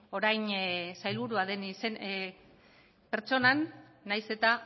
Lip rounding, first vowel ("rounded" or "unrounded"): rounded